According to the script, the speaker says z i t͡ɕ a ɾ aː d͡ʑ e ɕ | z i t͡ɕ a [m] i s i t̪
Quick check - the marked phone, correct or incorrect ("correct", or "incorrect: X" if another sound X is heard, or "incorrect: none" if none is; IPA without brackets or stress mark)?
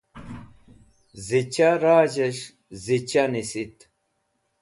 incorrect: n